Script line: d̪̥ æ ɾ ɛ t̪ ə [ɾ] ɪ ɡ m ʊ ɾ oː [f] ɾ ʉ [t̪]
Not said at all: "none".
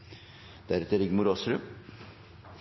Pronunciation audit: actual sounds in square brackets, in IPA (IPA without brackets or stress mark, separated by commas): ɾ, s, none